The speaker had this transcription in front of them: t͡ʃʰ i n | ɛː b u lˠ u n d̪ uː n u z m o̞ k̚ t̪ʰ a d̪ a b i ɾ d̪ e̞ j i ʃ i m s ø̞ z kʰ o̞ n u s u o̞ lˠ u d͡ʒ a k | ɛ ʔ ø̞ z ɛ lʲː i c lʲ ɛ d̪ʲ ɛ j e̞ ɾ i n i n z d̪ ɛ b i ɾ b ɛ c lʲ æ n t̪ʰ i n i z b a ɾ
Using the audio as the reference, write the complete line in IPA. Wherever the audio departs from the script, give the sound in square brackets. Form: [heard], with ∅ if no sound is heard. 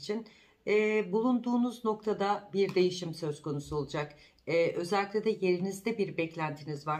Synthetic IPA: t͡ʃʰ i n | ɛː b u lˠ u n d̪ uː n u z [n] o̞ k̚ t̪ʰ a d̪ a b i ɾ d̪ e̞ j i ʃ i m s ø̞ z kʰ o̞ n u s u o̞ lˠ u d͡ʒ a k | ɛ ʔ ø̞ z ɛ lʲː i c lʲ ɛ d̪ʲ ɛ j e̞ ɾ i n i [∅] z d̪ ɛ b i ɾ b ɛ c lʲ æ n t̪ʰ i n i z [v] a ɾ

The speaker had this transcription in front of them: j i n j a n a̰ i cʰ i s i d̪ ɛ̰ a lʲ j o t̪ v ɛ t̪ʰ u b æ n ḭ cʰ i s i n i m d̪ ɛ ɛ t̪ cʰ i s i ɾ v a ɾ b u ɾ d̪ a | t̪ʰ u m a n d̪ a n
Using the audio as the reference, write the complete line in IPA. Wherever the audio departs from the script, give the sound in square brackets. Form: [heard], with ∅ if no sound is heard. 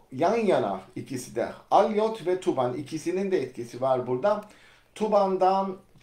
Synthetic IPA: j [a] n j a n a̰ i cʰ i s i d̪ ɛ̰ a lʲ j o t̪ v ɛ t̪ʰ u b [a] n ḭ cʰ i s i n i [n] d̪ ɛ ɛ t̪ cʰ i s i [∅] v a ɾ b u ɾ d̪ a | t̪ʰ u [b] a n d̪ a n

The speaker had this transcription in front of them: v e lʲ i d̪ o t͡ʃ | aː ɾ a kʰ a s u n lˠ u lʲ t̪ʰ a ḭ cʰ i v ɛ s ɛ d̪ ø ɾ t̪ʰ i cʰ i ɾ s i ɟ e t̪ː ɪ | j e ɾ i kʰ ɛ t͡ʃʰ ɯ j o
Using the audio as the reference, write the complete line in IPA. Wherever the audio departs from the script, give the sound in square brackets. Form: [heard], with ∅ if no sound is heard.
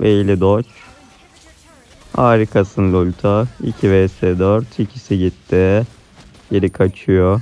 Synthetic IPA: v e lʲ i d̪ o t͡ʃ | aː ɾ [i] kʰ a s [ɯ] n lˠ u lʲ t̪ʰ a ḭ cʰ i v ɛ s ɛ d̪ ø ɾ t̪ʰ i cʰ i [∅] s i ɟ [i] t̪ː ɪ | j e ɾ i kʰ [a] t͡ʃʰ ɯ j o

